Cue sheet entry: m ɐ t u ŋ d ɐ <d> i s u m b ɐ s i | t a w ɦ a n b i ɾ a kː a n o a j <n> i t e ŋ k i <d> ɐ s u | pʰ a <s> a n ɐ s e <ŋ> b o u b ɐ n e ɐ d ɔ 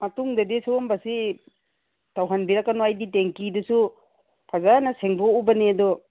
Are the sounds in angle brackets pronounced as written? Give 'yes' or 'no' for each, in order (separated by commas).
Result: yes, no, yes, no, yes